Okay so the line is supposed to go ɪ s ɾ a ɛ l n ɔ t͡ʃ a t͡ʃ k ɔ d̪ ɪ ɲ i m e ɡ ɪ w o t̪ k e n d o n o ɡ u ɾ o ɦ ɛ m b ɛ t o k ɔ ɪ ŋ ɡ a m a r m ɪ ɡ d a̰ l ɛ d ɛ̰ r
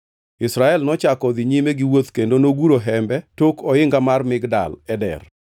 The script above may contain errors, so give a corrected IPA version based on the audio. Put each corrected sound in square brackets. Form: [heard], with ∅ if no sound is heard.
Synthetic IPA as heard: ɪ s ɾ a ɛ l n ɔ t͡ʃ a [∅] k ɔ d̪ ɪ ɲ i m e ɡ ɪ w o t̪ k e n d o n o ɡ u ɾ o ɦ ɛ m b ɛ t o k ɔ ɪ ŋ ɡ a m a r m ɪ ɡ d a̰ l ɛ d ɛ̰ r